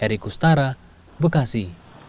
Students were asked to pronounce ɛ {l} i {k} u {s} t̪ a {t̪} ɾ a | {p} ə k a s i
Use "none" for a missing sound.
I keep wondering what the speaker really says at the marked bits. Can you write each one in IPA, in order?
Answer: ɾ, k, s, none, b

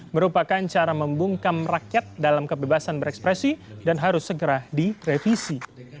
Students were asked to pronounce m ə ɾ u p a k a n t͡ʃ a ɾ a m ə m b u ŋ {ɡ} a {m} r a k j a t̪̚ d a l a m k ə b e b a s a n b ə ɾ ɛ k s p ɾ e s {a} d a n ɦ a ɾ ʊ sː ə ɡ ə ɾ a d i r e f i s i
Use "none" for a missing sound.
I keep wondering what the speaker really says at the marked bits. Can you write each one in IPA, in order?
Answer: k, m, i

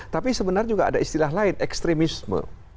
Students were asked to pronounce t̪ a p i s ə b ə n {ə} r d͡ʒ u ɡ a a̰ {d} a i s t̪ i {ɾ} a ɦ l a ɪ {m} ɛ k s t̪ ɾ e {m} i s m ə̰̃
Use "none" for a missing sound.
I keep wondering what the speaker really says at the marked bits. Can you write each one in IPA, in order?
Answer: a, d, l, n, m

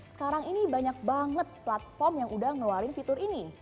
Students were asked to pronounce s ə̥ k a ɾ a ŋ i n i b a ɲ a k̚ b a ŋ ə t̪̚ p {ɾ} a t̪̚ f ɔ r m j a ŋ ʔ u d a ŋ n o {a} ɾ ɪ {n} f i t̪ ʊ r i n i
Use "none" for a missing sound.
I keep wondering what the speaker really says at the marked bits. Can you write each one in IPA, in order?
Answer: l, a, n

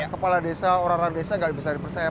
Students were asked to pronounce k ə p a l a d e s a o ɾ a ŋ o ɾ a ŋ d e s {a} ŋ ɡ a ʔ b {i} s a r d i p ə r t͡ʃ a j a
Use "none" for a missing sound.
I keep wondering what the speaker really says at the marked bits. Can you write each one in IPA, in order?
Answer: a, i

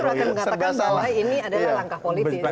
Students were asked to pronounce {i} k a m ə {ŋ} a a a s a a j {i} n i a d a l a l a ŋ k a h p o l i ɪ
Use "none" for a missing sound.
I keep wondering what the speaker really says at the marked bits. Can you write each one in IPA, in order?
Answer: a, ŋ, i

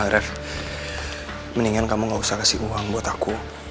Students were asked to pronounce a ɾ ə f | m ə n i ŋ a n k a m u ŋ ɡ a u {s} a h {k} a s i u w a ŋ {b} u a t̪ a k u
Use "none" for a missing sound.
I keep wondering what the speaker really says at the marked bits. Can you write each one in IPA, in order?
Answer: s, k, b

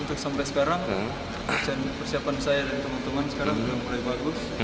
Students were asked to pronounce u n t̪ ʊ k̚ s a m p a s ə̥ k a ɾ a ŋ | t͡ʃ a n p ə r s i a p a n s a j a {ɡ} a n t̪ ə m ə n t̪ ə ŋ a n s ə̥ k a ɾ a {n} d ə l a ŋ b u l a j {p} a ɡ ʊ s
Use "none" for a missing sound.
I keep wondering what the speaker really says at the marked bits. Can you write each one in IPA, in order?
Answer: d, ŋ, b

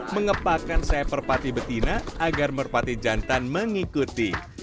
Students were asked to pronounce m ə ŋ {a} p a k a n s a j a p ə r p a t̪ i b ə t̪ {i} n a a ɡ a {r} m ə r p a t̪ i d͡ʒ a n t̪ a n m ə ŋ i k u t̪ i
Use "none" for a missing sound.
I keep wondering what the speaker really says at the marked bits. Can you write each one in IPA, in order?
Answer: ə, i, r

